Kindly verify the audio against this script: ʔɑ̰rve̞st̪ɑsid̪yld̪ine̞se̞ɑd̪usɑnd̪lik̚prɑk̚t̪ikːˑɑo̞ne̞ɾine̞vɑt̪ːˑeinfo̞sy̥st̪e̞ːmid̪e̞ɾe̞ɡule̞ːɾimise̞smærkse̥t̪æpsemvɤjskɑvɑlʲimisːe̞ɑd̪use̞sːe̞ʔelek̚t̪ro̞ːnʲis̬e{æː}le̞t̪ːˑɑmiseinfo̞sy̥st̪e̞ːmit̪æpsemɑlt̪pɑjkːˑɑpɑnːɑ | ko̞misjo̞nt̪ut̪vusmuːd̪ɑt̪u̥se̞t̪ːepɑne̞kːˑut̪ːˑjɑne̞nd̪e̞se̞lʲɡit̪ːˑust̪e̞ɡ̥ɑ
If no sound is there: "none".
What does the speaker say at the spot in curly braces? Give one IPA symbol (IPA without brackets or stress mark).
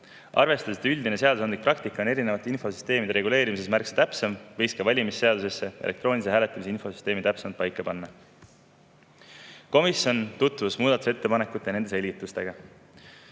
æː